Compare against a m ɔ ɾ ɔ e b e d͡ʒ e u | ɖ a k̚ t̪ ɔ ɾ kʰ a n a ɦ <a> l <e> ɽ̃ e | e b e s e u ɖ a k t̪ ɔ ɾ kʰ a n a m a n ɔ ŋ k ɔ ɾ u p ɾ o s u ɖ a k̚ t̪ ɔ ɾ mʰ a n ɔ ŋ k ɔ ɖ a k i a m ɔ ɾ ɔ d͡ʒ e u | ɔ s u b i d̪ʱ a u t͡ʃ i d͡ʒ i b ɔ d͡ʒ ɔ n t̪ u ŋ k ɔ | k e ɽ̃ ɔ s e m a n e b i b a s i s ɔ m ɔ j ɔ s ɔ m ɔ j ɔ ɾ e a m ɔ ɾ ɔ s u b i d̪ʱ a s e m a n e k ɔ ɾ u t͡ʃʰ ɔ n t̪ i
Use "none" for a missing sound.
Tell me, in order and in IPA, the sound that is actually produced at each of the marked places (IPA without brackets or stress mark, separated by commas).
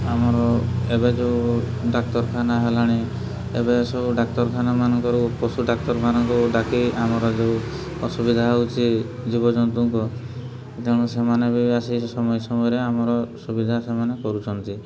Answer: e, a